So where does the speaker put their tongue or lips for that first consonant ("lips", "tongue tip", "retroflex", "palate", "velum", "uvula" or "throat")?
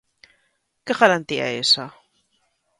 velum